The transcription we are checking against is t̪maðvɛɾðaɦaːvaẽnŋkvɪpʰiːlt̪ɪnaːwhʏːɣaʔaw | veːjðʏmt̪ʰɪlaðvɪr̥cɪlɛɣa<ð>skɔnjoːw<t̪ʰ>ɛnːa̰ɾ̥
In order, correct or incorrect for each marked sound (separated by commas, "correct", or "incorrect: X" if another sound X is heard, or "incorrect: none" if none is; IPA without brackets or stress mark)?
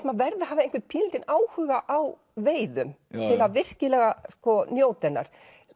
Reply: incorrect: none, incorrect: t̪